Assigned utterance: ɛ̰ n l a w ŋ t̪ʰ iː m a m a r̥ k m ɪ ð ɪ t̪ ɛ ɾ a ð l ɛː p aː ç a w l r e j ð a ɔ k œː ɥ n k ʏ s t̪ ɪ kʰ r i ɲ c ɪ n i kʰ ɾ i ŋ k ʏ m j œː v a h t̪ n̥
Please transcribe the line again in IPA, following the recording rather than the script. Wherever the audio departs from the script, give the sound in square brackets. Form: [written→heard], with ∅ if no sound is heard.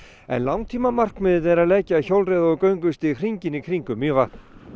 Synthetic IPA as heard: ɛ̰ n l a w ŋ t̪ʰ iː m a m a r̥ k m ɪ ð ɪ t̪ ɛ ɾ a ð l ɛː [p→c] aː ç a w l r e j ð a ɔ k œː ɥ [n→ŋ] k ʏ s t̪ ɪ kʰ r i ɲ c ɪ n i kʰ ɾ i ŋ k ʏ m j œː v a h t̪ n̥